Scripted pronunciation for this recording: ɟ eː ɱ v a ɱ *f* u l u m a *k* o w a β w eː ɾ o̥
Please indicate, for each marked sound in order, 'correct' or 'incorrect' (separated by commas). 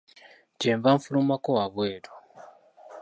correct, correct